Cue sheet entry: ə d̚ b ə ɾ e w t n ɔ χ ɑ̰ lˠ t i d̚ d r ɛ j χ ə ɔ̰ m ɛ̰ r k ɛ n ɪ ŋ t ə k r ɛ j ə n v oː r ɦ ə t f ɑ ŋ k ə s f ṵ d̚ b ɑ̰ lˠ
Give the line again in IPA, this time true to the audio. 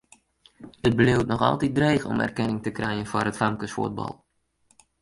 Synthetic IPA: ə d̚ b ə l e w t n ɔ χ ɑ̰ lˠ t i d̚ d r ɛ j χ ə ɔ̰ m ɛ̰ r k ɛ n ɪ ŋ t ə k r ɛ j ə n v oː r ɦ ə t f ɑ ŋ k ə s f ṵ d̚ b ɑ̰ lˠ